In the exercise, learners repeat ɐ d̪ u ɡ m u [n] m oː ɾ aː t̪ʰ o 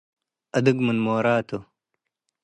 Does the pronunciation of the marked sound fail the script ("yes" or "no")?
no